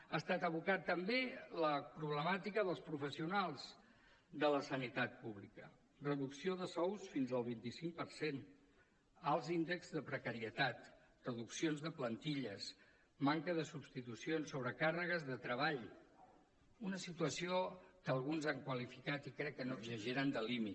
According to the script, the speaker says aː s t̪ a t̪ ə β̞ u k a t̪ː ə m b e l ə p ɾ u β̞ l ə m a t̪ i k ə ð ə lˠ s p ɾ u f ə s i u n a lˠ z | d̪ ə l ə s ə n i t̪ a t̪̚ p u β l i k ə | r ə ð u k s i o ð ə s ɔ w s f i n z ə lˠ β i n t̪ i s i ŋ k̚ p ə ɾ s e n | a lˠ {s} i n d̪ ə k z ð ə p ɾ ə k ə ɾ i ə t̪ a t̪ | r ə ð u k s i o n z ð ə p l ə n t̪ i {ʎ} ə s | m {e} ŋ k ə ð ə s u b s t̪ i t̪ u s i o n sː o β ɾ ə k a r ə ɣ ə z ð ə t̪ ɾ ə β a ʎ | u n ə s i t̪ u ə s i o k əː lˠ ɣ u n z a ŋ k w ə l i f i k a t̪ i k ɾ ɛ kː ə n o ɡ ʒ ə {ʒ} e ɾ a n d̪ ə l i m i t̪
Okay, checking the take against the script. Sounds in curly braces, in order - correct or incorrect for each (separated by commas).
incorrect, correct, incorrect, correct